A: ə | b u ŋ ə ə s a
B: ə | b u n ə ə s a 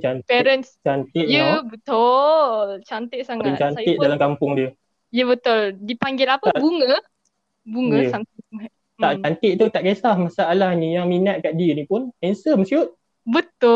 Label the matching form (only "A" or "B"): A